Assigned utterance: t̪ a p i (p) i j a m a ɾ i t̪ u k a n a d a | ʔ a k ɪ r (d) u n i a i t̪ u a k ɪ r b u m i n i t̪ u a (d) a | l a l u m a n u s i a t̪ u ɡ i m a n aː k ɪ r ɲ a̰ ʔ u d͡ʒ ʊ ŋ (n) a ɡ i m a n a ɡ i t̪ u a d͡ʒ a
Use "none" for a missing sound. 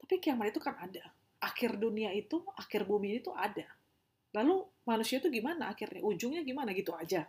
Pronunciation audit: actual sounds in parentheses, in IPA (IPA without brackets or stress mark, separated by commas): k, d, d, ɲ